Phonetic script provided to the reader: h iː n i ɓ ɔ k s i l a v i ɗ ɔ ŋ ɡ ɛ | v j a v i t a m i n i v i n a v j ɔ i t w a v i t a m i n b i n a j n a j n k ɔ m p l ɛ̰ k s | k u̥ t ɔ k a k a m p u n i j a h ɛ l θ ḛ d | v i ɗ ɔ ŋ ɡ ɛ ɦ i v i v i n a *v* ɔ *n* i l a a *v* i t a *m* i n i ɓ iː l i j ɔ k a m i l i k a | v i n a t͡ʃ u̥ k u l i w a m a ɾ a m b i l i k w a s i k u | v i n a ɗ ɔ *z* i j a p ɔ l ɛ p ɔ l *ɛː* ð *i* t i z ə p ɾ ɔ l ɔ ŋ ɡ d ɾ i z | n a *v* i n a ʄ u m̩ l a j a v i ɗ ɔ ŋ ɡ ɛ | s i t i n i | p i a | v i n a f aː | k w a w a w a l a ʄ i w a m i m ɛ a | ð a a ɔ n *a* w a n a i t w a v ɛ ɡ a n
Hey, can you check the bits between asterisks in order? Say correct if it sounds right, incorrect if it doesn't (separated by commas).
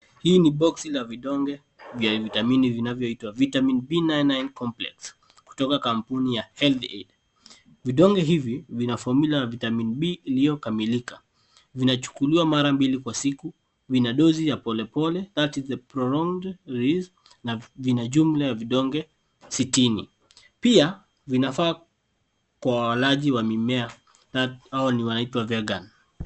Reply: incorrect, incorrect, correct, correct, correct, incorrect, incorrect, correct, incorrect